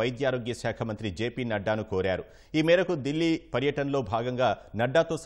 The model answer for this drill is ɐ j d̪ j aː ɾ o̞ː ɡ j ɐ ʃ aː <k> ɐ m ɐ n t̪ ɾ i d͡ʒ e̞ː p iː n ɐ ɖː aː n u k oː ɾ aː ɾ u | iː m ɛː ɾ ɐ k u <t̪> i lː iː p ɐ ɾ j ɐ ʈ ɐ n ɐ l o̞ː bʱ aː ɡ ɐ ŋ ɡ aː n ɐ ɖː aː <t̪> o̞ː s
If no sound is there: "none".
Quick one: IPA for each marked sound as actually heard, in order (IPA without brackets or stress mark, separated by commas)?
kʰ, d̪, t̪